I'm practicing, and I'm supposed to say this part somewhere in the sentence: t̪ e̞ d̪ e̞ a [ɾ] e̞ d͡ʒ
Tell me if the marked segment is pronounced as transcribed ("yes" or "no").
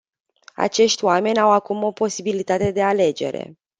no